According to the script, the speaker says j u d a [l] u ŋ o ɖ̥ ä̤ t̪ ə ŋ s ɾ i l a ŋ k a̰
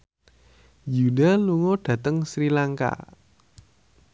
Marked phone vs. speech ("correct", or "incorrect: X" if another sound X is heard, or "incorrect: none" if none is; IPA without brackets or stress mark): correct